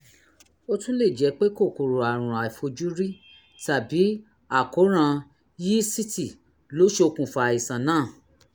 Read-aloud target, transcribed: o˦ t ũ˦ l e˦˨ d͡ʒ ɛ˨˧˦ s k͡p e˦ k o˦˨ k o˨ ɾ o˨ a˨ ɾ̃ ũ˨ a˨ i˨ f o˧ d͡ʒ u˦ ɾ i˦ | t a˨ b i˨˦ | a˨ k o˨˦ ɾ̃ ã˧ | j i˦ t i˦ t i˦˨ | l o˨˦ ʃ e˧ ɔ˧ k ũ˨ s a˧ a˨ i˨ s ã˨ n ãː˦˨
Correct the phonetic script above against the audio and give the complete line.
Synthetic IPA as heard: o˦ t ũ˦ l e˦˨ d͡ʒ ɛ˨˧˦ k͡p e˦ k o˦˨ k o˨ ɾ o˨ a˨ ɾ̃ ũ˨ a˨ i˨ f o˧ d͡ʒ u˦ ɾ i˦ | t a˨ b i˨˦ | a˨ k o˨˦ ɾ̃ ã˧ | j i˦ s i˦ t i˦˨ | l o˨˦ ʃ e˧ o˧ k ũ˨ f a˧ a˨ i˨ s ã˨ n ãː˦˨